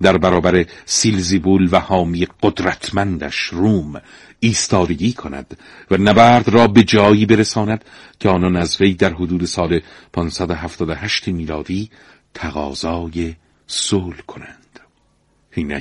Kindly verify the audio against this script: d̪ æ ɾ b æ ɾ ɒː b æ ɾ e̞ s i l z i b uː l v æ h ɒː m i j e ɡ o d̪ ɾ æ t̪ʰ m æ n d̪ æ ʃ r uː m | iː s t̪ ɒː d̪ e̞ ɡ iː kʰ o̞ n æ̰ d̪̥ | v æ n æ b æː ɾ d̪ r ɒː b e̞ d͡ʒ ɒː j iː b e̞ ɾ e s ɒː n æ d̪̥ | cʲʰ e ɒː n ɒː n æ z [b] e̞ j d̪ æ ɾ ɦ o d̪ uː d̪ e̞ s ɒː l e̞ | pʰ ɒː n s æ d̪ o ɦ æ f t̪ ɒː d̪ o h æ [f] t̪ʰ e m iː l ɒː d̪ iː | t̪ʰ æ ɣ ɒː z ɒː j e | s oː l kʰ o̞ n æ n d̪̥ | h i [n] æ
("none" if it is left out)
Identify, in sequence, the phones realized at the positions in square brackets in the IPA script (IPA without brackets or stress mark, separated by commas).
v, ʃ, n